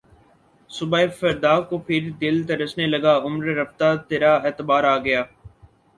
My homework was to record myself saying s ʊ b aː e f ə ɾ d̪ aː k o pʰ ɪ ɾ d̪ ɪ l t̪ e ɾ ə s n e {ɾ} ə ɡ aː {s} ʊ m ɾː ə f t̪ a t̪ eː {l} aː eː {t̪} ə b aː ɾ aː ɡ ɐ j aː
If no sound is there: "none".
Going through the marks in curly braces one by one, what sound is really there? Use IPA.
l, none, ɾ, t̪

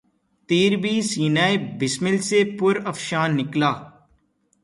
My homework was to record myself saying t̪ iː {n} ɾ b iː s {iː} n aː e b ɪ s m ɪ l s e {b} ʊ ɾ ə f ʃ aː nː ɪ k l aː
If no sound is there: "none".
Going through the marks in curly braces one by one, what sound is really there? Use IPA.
none, iː, p

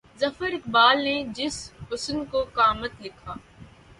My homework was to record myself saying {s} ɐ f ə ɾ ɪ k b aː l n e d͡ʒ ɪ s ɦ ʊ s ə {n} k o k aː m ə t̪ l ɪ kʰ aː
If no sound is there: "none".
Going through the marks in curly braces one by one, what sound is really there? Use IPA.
z, n

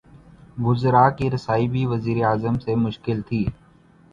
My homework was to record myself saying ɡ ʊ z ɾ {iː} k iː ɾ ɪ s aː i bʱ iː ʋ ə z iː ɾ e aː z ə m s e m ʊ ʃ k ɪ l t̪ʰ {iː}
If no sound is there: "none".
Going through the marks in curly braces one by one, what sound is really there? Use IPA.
aː, iː

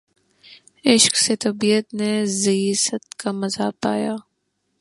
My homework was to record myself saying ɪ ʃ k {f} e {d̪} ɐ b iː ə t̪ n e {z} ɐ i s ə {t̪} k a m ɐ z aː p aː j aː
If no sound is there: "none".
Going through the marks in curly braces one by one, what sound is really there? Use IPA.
s, t̪, z, t̪

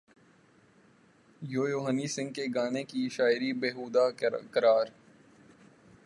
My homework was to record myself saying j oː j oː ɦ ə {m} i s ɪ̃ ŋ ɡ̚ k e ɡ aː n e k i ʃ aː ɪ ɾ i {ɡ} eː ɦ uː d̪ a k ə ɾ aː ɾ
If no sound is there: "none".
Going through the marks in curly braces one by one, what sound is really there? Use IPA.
n, b

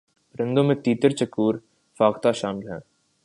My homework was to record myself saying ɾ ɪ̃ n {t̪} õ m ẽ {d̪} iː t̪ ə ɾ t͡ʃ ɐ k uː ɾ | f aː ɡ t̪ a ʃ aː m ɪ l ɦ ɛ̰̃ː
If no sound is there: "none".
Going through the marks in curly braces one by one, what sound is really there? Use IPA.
d̪, t̪

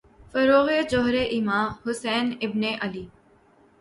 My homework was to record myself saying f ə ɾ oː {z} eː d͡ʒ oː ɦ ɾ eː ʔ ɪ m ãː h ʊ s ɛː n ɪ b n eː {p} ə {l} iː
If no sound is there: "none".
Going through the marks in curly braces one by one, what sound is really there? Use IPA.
ɣ, ʔ, l

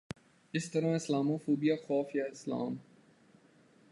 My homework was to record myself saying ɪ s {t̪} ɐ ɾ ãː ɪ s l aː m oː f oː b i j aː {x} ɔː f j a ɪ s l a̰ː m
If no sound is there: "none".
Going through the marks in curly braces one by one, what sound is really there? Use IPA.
t̪, x

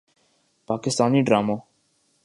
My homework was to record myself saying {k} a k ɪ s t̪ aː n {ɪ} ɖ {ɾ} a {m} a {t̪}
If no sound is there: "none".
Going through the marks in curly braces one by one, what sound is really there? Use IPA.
p, i, ɾ, m, none

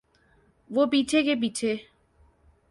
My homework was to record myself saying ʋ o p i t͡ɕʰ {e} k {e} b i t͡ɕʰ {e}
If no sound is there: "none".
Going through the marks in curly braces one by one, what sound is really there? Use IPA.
e, e, e

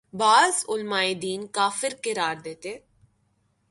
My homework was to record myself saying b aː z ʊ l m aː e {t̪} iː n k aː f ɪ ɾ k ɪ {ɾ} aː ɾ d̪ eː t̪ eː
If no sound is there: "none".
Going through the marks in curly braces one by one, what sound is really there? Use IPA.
d̪, ɾ

